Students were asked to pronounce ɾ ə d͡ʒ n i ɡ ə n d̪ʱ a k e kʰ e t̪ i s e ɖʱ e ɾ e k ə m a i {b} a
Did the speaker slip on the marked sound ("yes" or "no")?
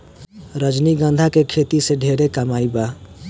no